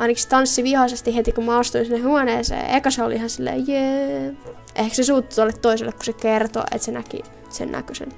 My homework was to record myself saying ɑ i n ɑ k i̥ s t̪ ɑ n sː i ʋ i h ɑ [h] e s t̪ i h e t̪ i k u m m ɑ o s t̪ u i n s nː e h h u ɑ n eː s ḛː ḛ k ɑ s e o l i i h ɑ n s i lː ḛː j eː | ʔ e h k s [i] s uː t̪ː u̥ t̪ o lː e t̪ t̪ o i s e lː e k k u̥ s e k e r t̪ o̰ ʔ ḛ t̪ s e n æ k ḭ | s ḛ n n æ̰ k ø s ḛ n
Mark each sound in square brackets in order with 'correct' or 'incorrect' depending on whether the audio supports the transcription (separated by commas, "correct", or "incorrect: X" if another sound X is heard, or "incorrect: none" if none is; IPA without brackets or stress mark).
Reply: incorrect: s, incorrect: e